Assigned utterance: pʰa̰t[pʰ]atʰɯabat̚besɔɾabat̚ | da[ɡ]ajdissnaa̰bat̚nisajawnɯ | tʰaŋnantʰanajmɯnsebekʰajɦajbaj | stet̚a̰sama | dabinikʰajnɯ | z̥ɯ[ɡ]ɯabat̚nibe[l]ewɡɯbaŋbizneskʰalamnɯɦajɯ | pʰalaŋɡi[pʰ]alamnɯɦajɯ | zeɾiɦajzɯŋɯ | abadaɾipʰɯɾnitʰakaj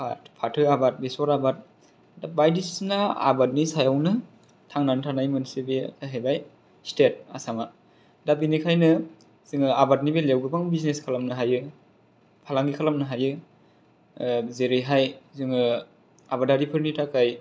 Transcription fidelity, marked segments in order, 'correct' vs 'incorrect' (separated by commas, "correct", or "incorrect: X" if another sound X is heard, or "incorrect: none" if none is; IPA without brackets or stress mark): correct, incorrect: b, incorrect: ŋ, correct, incorrect: kʰ